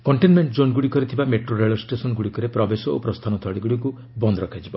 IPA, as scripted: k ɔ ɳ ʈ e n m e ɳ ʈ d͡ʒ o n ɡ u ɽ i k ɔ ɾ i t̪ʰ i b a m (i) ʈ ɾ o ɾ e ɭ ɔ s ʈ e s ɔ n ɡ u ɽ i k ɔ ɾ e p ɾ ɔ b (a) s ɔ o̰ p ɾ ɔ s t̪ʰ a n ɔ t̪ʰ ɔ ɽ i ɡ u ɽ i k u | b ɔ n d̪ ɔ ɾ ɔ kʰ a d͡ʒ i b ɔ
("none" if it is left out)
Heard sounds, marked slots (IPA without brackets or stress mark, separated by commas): e, e